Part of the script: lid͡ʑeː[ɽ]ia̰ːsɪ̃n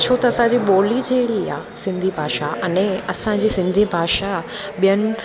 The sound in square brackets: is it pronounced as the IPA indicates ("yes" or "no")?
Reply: yes